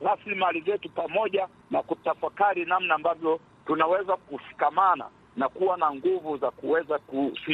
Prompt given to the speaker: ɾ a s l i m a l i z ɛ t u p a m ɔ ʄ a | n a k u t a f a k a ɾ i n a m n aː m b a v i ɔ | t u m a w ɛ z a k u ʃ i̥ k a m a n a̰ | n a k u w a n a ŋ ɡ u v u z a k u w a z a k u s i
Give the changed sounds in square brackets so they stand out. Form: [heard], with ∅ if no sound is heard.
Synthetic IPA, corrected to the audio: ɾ a s l i m a l i z ɛ t u p a m ɔ ʄ a | n a k u t a f a k a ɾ i n a m n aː m b a v [j] ɔ | t u [n] a w ɛ z a k u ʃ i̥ k a m a n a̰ | n a k u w a n a ŋ ɡ u v u z a k u w [ɛ] z a k u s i